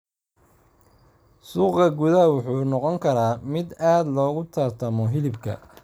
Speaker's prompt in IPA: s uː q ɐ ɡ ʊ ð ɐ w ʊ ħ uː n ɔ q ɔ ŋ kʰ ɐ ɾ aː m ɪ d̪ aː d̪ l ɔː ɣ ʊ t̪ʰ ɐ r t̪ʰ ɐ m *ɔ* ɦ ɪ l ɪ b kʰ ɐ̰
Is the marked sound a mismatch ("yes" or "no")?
no